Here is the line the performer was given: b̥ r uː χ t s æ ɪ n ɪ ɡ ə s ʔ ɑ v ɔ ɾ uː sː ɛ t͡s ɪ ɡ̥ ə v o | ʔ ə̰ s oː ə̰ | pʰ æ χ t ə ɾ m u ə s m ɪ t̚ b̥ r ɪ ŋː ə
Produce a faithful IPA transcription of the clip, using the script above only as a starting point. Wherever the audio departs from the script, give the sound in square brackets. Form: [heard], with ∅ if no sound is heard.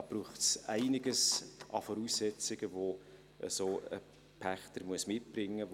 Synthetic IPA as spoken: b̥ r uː χ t s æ ɪ n ɪ ɡ ə s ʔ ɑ [f] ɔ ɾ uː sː ɛ t͡s ɪ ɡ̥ ə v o | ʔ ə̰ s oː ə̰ | pʰ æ χ t ə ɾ m u ə s m ɪ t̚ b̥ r ɪ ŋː ə